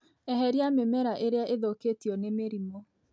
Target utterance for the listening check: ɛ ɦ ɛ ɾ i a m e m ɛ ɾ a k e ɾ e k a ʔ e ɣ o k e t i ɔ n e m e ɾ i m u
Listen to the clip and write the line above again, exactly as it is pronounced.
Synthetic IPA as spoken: ɛ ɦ ɛ ɾ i a m e m ɛ ɾ a ʔ e ɾ e a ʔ e ð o k e t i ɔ n e m e ɾ i m ɔ